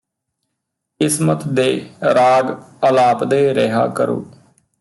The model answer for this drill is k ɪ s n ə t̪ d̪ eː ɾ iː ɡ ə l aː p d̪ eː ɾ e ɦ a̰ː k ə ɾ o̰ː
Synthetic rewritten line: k ɪ s m ə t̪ d̪ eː ɾ aː ɡ ə l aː p d̪ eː ɾ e ɦ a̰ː k ə ɾ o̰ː